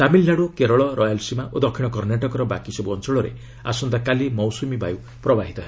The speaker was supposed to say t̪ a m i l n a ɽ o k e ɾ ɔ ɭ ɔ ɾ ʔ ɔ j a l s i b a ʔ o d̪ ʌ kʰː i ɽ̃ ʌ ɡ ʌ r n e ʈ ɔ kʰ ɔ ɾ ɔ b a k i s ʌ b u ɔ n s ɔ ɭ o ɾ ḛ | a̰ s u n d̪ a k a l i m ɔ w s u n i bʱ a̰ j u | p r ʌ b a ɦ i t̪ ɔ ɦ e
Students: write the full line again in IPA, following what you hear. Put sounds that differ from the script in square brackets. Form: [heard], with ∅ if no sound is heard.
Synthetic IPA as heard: t̪ a m i l n a ɽ o k e ɾ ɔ ɭ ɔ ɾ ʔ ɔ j a l s i [m] a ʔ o d̪ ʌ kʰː i ɽ̃ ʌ [k] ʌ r n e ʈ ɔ [k] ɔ ɾ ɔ b a k i s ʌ b u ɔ n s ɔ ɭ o ɾ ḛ | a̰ s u n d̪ a k a l i m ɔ w s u [m] i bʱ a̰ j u | p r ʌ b a ɦ i t̪ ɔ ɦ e